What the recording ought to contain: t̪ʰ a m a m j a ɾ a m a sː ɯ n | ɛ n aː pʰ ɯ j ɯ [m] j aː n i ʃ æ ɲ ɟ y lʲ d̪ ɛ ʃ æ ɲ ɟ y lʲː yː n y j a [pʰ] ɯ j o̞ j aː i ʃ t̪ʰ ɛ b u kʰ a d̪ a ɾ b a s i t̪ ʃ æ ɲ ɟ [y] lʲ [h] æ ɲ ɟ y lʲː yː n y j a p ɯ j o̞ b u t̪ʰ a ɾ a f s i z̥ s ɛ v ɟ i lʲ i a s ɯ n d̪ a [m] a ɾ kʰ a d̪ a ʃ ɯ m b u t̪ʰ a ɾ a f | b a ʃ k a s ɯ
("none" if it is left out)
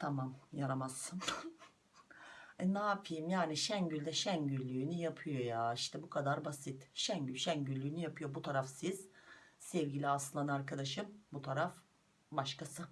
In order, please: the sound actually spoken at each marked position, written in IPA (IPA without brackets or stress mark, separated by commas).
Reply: m, pʰ, y, ʃ, n